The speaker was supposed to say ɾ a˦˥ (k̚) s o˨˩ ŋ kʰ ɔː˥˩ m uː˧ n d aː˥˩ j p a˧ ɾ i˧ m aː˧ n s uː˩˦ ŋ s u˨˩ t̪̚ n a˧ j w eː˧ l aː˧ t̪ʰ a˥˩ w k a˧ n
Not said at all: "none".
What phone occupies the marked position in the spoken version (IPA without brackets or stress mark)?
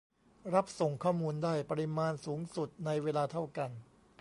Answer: p̚